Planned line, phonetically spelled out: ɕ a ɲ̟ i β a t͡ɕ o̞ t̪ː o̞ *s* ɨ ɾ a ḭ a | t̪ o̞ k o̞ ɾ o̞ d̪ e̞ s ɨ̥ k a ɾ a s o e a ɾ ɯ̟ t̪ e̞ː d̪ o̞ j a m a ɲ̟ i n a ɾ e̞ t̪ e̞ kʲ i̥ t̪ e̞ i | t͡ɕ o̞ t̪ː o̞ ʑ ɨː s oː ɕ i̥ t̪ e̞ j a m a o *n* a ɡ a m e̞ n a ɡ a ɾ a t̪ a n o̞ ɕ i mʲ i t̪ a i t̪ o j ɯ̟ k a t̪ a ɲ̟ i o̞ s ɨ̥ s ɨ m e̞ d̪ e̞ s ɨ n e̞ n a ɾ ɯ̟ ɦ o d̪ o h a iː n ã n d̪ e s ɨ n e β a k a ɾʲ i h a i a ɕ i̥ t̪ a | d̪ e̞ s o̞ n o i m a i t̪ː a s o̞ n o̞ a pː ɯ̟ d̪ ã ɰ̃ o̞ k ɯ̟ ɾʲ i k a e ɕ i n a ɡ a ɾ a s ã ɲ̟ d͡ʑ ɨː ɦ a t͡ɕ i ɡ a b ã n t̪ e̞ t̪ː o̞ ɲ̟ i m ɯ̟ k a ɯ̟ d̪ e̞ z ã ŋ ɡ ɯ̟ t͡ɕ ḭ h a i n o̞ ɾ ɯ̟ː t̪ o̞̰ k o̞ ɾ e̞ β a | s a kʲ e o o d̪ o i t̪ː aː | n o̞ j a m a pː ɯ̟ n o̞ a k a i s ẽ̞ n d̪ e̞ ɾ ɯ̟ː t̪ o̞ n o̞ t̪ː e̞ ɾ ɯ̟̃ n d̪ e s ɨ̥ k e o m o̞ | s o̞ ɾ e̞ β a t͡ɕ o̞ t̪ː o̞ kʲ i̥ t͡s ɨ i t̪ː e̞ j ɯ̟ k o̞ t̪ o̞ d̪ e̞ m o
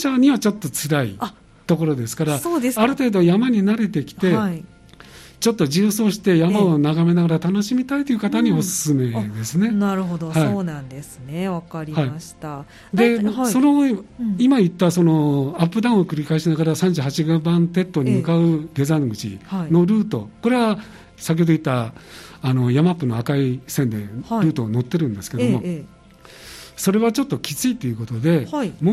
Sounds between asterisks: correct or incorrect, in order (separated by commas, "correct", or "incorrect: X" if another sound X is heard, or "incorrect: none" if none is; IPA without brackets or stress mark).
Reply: incorrect: t͡s, correct